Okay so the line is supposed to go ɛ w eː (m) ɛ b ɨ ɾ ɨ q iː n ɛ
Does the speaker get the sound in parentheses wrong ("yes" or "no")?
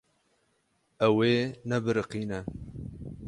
yes